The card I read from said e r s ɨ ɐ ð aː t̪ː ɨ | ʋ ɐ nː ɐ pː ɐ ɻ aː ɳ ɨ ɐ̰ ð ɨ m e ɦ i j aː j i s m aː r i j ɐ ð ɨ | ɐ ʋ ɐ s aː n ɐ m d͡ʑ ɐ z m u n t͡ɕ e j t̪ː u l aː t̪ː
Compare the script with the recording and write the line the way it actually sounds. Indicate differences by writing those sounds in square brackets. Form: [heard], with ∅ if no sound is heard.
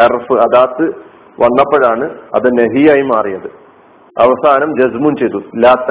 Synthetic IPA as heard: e r [f] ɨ ɐ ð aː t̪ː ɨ | ʋ ɐ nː ɐ pː ɐ ɻ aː ɳ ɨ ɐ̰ ð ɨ [n] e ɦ i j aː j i [∅] m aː r i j ɐ ð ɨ | ɐ ʋ ɐ s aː n ɐ m d͡ʑ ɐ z m u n t͡ɕ e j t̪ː u l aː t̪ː